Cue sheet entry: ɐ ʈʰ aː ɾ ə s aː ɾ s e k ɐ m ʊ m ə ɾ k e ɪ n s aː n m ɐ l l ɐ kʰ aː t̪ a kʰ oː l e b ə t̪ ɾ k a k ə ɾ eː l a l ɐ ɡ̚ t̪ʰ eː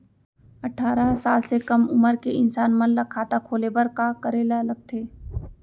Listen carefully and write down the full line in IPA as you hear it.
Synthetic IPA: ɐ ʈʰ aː ɾ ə s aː l s e k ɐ m ʊ m ə ɾ k e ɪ n s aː n m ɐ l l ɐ kʰ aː t̪ a kʰ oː l e b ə ɾ k a k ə ɾ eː l a l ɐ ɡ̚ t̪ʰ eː